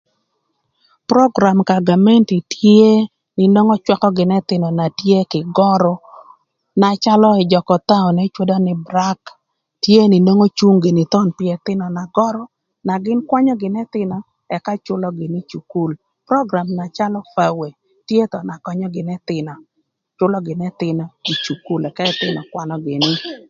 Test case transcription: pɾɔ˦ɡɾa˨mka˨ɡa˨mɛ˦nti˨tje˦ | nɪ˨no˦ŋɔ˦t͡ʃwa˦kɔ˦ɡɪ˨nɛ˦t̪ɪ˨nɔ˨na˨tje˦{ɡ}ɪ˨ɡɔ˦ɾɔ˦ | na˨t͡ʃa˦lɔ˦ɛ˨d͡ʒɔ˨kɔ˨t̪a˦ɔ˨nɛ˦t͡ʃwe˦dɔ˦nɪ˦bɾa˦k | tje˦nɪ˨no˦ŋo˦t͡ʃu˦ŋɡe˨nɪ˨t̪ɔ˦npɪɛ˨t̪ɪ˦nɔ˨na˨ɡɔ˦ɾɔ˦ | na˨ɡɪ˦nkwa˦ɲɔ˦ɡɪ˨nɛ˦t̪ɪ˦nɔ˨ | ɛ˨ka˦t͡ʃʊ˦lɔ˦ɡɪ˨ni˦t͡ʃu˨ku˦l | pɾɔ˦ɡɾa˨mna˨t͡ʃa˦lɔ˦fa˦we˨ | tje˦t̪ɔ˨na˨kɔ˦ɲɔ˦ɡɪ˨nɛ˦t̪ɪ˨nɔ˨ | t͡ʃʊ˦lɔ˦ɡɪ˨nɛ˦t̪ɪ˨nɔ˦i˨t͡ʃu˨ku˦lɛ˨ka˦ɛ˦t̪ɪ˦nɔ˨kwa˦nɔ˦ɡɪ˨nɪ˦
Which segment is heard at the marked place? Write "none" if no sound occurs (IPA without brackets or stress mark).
k